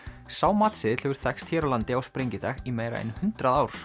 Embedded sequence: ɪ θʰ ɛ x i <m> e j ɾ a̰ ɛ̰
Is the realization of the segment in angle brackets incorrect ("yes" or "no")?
no